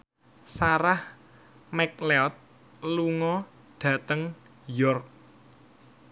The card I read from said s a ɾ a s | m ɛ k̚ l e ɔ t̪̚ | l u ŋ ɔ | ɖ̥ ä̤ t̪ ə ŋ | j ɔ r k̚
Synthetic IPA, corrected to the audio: s a ɾ a h | m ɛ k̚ l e ɔ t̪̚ | l u ŋ ɔ | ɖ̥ ä̤ t̪ ə ŋ | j ɔ r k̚